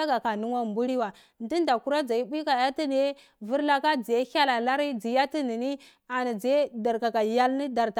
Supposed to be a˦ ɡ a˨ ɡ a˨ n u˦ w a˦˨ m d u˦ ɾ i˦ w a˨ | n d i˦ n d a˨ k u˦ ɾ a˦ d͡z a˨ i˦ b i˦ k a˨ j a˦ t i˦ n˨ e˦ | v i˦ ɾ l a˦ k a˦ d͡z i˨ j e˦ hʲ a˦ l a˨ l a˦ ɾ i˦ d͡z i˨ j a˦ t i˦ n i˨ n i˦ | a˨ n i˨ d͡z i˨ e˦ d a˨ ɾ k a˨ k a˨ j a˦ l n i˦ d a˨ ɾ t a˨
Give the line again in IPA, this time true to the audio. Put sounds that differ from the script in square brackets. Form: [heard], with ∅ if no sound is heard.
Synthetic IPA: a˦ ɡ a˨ [k] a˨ n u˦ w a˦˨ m [b] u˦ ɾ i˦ w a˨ | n d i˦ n d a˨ k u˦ ɾ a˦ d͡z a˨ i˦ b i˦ k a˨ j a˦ t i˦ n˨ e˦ | v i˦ ɾ l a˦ k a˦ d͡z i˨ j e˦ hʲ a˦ l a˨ l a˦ ɾ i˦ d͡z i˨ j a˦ t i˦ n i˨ n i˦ | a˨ n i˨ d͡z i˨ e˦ d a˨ ɾ k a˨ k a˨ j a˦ l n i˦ d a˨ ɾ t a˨